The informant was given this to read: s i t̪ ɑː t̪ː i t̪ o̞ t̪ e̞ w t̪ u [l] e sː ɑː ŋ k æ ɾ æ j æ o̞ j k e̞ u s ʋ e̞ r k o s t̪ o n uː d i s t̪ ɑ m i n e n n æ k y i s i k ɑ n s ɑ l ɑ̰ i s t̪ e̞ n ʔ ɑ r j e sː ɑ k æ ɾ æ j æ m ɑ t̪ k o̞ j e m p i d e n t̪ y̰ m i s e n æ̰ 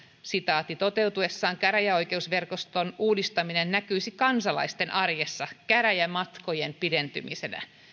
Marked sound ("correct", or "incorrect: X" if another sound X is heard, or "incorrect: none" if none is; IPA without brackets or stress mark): incorrect: none